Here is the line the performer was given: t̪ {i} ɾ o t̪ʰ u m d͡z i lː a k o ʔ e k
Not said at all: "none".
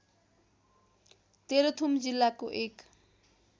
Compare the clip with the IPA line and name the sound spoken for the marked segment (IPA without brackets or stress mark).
e